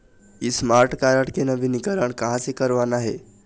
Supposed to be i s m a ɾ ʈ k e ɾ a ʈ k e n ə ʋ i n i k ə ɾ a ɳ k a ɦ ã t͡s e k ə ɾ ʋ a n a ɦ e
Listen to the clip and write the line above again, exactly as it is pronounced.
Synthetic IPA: i s m a ɾ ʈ k a ɾ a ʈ k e n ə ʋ i n i k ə ɾ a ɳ k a ɦ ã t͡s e k ə ɾ ʋ a n a ɦ e